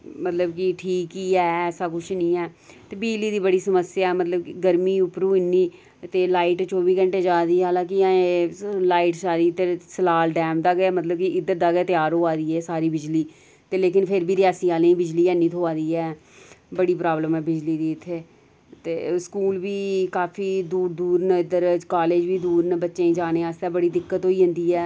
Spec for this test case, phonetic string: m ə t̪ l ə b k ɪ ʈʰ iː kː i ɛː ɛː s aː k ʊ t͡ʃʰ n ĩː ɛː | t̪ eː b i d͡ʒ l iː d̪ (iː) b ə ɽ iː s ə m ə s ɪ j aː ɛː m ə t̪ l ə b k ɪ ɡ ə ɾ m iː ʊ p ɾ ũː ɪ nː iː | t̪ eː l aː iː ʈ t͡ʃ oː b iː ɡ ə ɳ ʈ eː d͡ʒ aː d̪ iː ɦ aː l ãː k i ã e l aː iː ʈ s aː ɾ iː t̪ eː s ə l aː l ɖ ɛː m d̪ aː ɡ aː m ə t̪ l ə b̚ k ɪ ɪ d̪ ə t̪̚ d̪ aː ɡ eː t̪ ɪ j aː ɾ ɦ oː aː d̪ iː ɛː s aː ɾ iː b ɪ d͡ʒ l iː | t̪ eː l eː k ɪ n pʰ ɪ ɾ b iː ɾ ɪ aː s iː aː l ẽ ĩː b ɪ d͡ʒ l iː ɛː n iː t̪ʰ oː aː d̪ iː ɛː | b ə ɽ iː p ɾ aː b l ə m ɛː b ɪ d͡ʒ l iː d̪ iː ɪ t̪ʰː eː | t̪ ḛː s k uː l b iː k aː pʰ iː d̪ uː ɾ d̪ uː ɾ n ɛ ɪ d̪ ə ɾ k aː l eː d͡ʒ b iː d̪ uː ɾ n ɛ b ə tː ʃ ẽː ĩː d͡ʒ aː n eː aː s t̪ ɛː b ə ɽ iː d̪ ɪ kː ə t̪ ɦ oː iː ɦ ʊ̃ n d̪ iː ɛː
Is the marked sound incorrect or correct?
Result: correct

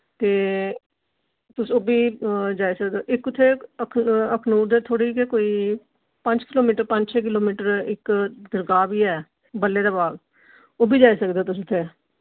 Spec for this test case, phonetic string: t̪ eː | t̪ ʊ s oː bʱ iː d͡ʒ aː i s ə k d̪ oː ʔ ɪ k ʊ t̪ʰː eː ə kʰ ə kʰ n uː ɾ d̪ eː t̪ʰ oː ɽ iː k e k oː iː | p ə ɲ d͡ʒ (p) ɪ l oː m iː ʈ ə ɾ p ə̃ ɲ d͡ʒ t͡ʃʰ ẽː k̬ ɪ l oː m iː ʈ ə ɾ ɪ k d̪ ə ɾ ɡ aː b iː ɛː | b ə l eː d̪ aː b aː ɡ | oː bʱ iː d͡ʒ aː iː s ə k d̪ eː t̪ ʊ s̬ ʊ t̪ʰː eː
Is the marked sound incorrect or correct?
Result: incorrect: k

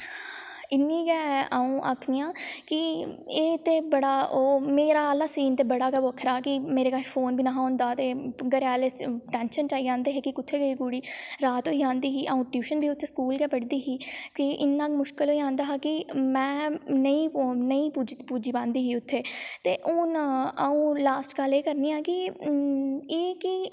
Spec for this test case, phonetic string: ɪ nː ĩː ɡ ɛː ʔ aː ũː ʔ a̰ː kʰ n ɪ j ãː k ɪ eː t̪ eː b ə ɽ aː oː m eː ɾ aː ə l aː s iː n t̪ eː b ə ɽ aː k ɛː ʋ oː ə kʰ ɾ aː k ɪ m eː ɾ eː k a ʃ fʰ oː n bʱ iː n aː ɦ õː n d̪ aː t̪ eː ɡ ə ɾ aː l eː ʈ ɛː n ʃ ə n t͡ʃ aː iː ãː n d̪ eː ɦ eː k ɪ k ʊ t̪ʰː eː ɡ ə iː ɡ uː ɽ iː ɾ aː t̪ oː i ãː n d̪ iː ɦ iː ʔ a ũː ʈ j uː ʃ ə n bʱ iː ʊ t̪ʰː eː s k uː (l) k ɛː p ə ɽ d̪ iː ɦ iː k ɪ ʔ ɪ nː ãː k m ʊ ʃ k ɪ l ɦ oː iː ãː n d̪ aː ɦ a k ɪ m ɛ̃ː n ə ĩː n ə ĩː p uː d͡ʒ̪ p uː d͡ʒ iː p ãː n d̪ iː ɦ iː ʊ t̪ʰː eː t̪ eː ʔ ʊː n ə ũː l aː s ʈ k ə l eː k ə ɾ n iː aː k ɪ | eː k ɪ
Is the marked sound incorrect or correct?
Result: correct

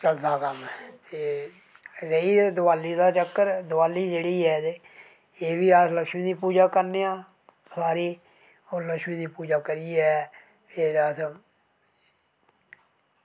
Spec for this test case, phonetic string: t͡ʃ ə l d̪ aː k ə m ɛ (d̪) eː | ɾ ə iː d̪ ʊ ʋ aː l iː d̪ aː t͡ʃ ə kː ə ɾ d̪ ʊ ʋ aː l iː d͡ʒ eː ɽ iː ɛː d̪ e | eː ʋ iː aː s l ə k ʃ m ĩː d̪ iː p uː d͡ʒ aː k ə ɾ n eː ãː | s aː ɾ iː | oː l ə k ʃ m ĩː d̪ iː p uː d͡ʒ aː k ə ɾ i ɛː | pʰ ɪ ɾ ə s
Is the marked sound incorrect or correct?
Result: incorrect: t̪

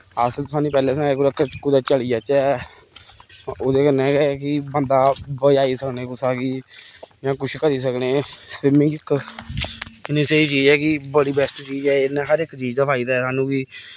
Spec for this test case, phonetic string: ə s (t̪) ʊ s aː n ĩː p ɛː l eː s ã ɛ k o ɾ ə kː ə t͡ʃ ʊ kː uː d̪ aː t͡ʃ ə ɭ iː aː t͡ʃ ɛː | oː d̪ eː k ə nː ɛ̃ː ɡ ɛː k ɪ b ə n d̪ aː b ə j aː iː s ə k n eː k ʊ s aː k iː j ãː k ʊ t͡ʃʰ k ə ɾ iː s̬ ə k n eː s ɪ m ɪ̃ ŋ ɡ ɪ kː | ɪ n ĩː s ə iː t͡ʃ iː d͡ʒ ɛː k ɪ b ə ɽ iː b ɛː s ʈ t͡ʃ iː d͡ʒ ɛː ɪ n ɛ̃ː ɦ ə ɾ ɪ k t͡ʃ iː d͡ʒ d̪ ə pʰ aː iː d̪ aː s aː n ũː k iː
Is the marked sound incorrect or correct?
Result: correct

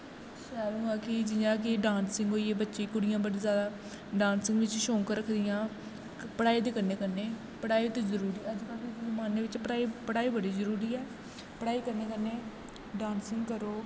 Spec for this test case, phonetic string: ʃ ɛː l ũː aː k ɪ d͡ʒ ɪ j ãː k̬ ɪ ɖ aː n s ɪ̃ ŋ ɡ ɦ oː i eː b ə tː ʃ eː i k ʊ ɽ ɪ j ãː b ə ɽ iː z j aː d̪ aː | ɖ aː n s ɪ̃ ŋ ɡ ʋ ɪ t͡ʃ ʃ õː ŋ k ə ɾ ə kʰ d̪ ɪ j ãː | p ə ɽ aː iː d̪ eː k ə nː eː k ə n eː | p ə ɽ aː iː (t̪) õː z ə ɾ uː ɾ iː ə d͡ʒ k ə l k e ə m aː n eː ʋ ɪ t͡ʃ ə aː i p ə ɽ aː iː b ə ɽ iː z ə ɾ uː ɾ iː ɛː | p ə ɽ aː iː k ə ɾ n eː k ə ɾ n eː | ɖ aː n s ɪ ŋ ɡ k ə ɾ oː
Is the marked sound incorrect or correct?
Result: correct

